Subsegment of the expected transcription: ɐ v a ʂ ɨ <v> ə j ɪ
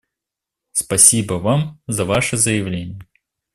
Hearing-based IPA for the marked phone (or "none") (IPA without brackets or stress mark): z